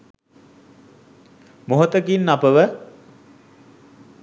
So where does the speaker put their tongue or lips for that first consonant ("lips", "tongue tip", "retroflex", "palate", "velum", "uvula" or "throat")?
lips